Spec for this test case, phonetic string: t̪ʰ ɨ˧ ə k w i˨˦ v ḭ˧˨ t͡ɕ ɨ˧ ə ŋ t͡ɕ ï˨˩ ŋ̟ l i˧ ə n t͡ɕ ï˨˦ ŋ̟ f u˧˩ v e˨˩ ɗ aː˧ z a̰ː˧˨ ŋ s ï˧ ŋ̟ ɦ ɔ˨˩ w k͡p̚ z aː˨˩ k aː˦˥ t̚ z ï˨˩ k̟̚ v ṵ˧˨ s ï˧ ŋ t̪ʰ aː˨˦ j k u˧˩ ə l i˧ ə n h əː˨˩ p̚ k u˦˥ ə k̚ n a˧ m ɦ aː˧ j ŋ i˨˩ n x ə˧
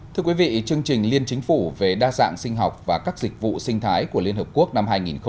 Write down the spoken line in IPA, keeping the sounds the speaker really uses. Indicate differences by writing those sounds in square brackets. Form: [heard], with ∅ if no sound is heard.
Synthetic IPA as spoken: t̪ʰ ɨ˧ ə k w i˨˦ v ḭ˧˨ t͡ɕ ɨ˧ ə ŋ t͡ɕ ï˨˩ ŋ̟ l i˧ ə n t͡ɕ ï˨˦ ŋ̟ f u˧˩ v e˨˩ ɗ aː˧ z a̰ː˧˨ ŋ s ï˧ ŋ̟ ɦ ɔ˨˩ w k͡p̚ [v] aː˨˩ k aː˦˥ [k̚] z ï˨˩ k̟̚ v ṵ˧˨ s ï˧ ŋ t̪ʰ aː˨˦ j k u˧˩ ə l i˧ ə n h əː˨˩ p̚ k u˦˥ ə k̚ n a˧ m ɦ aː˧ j ŋ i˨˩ n x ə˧